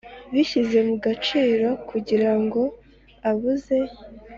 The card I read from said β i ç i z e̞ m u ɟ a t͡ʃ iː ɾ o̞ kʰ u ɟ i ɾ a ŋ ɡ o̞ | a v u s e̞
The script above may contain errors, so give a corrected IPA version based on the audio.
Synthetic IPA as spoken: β i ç i z e̞ m u ɡ a t͡ʃ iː ɾ o̞ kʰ u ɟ i ɾ a ŋ ɡ o̞ | a β u z e̞